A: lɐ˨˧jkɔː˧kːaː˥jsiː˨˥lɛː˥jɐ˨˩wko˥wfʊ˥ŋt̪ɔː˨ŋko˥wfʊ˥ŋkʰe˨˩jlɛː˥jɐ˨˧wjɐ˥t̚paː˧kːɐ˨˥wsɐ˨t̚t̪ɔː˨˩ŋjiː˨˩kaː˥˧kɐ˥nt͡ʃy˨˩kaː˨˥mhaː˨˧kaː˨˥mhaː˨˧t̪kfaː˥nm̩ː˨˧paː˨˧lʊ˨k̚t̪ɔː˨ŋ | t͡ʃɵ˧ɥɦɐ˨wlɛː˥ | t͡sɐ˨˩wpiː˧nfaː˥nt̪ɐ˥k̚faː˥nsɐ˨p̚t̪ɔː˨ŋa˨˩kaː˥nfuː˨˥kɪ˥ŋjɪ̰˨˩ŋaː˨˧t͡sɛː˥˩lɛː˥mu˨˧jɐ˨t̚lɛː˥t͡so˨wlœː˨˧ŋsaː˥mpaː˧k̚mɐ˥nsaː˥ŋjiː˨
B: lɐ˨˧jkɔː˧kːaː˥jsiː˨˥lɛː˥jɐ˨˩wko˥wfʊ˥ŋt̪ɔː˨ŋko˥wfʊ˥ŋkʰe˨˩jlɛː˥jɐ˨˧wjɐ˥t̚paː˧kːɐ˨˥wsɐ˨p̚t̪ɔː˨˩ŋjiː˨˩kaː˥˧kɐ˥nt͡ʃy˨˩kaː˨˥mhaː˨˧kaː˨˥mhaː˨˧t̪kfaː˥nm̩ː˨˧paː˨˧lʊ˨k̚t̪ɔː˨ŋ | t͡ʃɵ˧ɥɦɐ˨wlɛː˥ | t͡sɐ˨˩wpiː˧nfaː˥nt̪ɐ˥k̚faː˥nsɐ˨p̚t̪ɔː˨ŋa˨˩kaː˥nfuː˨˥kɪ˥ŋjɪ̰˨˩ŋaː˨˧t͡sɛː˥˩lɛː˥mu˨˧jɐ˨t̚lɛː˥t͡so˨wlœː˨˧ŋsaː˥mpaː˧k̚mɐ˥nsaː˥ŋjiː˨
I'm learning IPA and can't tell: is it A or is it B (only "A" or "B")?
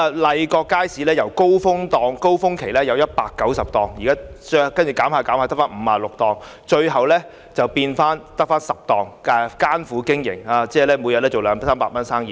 B